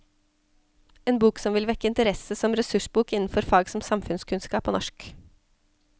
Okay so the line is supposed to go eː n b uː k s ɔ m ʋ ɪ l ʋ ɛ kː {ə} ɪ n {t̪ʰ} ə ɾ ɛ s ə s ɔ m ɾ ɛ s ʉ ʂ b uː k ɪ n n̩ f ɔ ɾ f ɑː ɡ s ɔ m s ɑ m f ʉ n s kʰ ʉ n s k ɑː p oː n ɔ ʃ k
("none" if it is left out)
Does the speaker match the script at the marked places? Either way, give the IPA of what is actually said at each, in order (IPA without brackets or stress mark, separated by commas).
ə, t̪